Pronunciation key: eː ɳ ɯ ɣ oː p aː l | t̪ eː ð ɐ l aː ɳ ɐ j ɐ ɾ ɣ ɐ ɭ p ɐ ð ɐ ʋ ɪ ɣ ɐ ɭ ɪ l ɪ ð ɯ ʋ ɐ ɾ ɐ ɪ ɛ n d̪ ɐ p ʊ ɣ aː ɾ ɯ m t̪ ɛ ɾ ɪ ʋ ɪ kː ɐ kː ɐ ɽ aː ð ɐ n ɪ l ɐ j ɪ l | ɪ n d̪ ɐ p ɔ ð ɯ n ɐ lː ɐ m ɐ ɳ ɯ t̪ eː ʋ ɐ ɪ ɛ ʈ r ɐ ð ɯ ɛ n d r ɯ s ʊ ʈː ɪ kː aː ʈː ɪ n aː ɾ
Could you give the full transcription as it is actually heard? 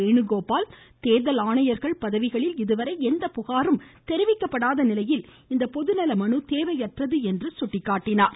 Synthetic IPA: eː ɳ ɯ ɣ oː p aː l | t̪ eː ð ɐ l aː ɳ ɐ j ɐ ɾ ɣ ɐ ɭ p ɐ ð ɐ ʋ ɪ ɣ ɐ ɭ ɪ l ɪ ð ɯ ʋ ɐ ɾ ɐ ɪ ɛ n d̪ ɐ p ʊ ɣ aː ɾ ɯ m t̪ ɛ ɾ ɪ ʋ ɪ kː ɐ pː ɐ ɽ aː ð ɐ n ɪ l ɐ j ɪ l | ɪ n d̪ ɐ p ɔ ð ɯ n ɐ l ɐ m ɐ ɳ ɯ t̪ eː ʋ ɐ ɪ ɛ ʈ r ɐ ð ɯ ɛ n d r ɯ s ʊ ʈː ɪ kː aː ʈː ɪ n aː ɾ